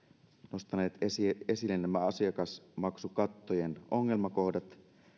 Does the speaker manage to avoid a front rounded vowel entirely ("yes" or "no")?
yes